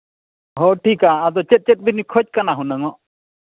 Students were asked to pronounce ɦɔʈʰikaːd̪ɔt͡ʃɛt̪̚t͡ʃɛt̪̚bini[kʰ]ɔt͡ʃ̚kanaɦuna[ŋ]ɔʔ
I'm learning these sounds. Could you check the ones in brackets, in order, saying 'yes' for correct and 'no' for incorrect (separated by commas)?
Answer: yes, yes